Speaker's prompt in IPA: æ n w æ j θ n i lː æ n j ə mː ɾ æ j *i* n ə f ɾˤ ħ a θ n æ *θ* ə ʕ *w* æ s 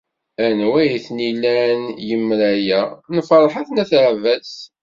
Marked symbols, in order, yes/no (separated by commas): no, yes, no